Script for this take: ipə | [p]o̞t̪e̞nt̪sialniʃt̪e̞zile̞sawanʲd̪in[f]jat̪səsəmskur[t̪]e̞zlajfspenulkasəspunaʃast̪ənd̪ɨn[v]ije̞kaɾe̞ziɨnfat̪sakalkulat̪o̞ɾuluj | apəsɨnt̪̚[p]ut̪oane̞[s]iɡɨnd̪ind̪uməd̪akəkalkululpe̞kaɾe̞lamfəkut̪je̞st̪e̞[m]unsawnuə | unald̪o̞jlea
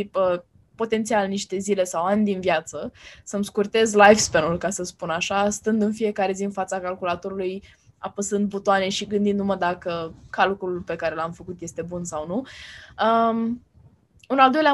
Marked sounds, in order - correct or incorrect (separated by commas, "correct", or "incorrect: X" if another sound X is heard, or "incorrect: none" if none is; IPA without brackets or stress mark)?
correct, incorrect: v, correct, incorrect: f, incorrect: b, incorrect: ʃ, incorrect: b